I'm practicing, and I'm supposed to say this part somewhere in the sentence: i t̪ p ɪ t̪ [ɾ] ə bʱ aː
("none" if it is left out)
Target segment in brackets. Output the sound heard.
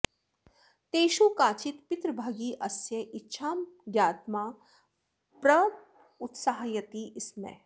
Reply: ɾ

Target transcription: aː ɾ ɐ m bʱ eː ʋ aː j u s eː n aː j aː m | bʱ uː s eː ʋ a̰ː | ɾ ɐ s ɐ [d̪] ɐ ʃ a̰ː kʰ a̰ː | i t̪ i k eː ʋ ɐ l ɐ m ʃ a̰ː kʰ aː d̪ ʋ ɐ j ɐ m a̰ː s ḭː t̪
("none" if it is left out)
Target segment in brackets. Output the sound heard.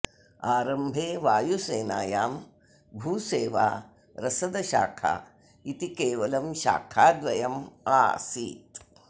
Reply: d̪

